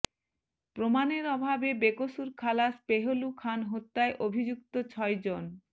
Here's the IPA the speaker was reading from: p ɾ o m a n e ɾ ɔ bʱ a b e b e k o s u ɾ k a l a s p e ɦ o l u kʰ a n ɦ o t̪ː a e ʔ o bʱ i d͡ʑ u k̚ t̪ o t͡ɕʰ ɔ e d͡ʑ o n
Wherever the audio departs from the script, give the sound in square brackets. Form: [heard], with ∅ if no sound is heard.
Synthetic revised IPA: p ɾ o m a n e ɾ ɔ bʱ a b e b e k o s u ɾ [kʰ] a l a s p e ɦ o l u kʰ a n ɦ o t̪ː a e ʔ o bʱ i d͡ʑ u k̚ t̪ o t͡ɕʰ ɔ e d͡ʑ o n